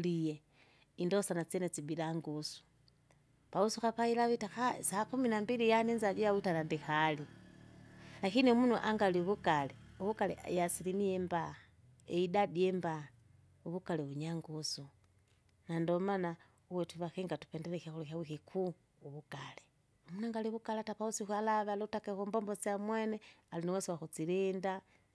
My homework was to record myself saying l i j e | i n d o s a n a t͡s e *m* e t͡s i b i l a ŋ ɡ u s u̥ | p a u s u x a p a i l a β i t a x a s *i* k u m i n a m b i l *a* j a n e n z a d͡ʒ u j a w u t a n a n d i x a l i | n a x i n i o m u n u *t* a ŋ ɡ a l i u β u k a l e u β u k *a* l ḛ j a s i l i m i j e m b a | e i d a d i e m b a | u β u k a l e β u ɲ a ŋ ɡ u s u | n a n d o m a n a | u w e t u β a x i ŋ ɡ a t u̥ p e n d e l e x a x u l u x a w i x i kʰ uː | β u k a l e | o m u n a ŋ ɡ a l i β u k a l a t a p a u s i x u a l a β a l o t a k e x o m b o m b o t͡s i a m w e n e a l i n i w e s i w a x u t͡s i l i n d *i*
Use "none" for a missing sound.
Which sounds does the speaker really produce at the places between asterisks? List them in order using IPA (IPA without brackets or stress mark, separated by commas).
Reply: n, a, i, ʔ, a, a